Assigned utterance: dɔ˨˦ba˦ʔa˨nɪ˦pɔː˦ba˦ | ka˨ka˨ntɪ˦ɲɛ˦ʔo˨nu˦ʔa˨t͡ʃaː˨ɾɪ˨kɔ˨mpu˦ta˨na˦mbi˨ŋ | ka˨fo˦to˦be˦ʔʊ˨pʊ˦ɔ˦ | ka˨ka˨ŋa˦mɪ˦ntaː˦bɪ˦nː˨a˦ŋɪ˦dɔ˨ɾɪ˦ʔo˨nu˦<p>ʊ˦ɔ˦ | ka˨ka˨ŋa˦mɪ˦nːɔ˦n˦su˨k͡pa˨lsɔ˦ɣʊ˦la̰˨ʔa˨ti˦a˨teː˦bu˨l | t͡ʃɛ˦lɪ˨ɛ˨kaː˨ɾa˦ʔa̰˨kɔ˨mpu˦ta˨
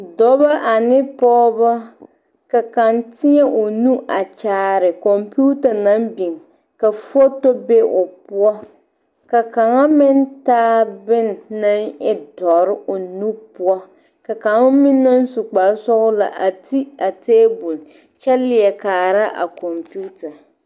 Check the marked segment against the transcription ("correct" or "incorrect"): correct